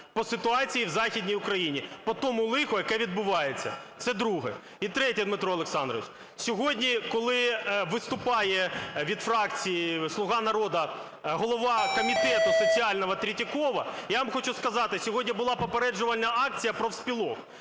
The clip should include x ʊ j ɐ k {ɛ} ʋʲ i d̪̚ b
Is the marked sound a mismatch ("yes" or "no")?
no